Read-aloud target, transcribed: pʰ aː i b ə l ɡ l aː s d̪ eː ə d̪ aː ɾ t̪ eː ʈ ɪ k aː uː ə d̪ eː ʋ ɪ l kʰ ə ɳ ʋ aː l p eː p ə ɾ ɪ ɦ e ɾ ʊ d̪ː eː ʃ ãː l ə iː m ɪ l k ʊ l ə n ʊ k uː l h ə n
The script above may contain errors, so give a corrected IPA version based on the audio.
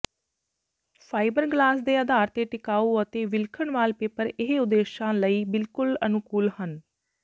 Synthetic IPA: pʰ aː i b ə ɾ ɡ l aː s d̪ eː ə d̪ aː ɾ t̪ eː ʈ ɪ k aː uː ə t̪ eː ʋ ɪ l kʰ ə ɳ ʋ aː l p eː p ə ɾ ɪ ɦ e ʊ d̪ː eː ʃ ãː l ə iː b ɪ l k ʊ l ə n ʊ k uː l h ə n